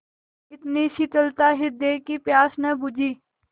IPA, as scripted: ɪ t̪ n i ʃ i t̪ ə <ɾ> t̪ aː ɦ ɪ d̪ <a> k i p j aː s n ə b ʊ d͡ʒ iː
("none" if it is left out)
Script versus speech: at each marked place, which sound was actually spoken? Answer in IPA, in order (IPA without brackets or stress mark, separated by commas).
l, e